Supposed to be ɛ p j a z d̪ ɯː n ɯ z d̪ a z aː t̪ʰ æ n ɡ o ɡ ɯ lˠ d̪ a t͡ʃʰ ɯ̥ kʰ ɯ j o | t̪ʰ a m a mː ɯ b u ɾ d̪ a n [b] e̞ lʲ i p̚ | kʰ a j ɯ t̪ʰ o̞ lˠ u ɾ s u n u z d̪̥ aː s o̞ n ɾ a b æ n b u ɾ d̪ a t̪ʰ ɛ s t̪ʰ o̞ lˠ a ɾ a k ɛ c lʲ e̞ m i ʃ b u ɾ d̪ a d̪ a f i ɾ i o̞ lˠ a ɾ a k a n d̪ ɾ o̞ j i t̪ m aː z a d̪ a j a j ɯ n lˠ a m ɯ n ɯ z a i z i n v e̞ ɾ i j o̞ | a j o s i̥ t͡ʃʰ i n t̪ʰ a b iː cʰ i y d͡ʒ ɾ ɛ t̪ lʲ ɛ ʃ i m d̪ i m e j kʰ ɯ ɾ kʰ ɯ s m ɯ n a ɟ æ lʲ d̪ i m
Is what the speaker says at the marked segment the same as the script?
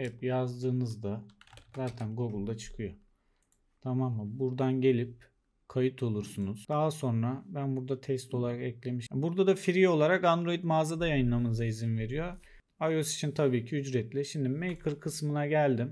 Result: no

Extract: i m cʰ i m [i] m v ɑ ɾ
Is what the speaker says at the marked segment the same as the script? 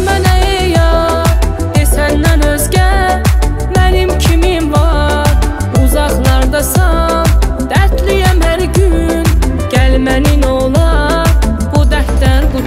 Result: yes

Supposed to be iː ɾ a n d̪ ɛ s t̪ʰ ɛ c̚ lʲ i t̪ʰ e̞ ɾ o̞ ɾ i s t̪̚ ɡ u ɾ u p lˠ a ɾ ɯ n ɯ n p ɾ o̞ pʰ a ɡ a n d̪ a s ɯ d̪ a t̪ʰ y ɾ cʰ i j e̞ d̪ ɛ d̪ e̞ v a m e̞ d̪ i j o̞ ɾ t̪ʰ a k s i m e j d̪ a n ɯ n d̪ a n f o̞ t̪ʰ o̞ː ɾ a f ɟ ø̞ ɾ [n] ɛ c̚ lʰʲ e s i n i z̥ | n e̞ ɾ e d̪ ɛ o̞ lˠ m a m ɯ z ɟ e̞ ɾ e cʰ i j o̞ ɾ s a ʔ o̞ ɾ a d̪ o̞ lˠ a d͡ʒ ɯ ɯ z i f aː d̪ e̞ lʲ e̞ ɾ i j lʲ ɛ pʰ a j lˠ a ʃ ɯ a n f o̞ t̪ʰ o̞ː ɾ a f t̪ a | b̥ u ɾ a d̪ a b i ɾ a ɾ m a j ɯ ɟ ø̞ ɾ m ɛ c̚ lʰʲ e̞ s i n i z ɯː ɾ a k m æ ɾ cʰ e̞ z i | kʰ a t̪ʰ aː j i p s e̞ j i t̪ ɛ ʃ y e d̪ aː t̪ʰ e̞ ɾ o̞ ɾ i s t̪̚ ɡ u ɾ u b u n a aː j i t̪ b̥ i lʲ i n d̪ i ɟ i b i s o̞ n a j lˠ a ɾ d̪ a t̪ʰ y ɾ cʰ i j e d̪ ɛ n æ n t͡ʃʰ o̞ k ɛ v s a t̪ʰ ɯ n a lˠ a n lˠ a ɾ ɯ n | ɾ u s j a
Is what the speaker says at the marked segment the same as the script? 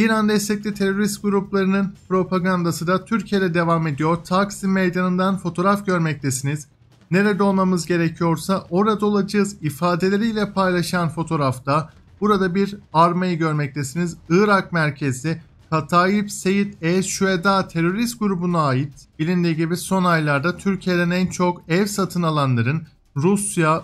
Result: no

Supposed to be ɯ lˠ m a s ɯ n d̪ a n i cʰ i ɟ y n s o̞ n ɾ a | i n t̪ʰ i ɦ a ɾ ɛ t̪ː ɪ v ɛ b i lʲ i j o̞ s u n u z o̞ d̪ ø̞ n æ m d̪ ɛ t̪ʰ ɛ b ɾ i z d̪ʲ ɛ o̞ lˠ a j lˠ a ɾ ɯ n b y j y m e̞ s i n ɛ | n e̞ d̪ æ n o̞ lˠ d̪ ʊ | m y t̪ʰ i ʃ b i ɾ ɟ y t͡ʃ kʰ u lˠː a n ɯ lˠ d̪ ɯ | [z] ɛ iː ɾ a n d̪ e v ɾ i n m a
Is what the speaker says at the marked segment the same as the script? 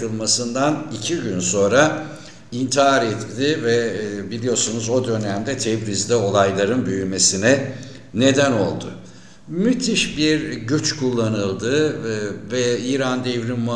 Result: no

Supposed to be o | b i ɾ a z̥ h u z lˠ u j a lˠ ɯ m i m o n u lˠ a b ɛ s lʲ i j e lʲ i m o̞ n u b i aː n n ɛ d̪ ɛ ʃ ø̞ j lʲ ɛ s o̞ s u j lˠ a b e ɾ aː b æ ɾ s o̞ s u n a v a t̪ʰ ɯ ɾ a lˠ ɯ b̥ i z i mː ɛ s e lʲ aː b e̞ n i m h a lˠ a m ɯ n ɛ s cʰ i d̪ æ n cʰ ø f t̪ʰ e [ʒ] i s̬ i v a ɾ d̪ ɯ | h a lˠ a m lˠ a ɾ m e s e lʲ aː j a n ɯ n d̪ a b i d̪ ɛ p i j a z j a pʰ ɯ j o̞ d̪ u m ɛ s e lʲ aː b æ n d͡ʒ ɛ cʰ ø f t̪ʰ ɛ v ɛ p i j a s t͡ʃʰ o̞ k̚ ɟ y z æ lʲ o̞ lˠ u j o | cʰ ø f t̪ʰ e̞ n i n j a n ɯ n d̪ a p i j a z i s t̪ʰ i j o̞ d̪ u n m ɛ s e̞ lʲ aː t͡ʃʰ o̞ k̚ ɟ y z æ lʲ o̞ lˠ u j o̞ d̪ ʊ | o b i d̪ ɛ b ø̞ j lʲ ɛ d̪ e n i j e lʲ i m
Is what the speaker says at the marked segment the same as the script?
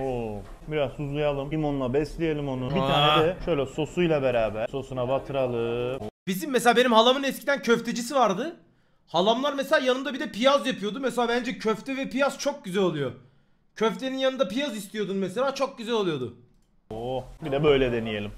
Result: no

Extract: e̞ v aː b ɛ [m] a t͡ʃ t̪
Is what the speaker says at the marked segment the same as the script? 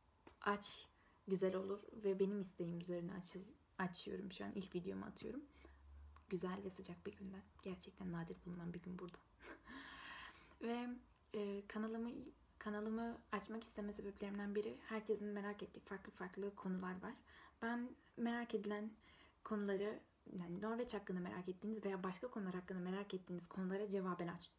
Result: no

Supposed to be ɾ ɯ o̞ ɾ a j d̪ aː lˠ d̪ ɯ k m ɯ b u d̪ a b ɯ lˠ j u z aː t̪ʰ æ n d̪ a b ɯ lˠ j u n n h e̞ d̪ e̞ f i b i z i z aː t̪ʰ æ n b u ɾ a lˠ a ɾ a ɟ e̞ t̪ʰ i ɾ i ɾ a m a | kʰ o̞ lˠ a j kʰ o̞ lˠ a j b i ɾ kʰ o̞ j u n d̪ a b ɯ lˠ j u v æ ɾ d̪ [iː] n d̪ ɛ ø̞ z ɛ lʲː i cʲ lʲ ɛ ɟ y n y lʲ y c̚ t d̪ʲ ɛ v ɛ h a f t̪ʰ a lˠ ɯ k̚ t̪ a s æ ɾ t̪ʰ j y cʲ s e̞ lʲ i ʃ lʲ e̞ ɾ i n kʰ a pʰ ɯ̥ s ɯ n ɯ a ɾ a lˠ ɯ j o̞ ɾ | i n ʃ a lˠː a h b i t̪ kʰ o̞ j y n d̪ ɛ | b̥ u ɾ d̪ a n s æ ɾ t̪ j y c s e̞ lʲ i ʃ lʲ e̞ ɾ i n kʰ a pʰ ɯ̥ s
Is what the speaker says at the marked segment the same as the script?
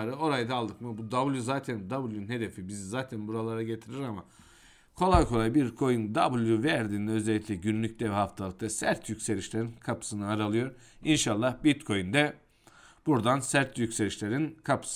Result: yes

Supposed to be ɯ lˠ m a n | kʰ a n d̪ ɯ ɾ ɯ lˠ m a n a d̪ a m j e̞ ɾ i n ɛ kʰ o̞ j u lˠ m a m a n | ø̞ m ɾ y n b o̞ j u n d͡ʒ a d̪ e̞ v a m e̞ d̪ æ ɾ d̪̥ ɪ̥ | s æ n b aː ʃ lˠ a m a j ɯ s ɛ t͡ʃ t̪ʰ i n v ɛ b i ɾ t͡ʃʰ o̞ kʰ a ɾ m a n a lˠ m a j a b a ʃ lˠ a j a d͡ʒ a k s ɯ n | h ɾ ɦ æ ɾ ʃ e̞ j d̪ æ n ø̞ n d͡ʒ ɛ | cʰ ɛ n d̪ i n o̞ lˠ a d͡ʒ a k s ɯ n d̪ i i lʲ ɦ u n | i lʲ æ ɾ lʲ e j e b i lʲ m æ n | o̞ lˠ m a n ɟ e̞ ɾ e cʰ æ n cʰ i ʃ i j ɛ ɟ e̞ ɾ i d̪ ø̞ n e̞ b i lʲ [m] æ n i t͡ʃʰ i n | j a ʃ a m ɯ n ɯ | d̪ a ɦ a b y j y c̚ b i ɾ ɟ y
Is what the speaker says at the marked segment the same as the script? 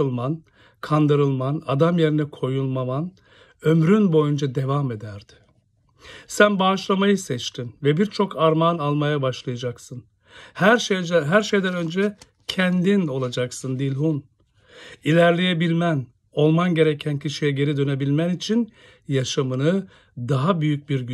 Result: yes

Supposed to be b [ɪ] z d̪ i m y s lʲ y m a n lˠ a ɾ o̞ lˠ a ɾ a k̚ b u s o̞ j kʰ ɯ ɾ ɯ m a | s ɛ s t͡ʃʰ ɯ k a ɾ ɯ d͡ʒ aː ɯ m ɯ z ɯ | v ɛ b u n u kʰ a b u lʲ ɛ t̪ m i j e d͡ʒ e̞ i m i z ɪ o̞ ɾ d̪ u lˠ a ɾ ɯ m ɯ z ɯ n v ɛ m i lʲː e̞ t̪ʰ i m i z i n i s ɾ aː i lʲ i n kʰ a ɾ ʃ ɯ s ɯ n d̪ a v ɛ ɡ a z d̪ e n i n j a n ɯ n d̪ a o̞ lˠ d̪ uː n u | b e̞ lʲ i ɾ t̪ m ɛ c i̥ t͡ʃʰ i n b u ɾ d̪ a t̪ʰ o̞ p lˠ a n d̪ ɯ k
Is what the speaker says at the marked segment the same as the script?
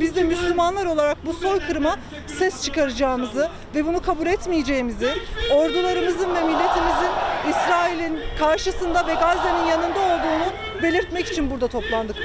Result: no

